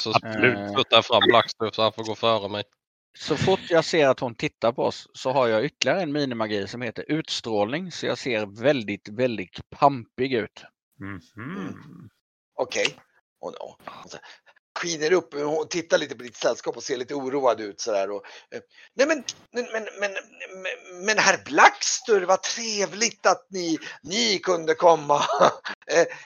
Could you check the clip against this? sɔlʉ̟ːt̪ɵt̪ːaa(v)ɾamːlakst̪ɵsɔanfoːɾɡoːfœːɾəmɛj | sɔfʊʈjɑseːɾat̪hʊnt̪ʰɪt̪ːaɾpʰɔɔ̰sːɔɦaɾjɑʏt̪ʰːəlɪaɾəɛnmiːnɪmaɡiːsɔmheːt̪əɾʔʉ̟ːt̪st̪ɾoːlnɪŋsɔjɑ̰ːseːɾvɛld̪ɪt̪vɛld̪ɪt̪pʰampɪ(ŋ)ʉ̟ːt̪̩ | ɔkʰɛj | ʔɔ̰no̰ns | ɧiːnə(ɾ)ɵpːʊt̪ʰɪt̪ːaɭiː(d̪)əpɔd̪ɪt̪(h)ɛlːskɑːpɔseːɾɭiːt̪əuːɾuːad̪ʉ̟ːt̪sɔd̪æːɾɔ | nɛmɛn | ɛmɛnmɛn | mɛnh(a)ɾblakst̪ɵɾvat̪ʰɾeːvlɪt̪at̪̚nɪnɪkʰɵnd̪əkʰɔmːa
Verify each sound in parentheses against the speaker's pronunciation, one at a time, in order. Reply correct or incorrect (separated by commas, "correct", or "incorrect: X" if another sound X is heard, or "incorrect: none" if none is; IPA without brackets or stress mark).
incorrect: f, incorrect: ɡ, correct, incorrect: t̪, incorrect: s, incorrect: æ